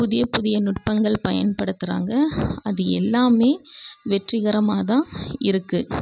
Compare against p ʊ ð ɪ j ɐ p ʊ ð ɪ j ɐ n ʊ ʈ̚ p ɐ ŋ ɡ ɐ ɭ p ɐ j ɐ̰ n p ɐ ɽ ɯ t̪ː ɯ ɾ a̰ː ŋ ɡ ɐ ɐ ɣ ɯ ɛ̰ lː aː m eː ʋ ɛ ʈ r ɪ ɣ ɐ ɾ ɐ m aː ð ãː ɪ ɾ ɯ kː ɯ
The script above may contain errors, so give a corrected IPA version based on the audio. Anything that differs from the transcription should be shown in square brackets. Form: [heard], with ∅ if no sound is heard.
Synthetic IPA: p ʊ ð ɪ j ɐ p ʊ ð ɪ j ɐ n ʊ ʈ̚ p ɐ ŋ ɡ ɐ ɭ p ɐ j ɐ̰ n p ɐ ɽ ɯ t̪ː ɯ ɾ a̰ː ŋ ɡ ɐ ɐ [ð] ɯ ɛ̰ lː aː m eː ʋ ɛ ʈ r ɪ ɣ ɐ ɾ ɐ m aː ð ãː ɪ ɾ ɯ kː ɯ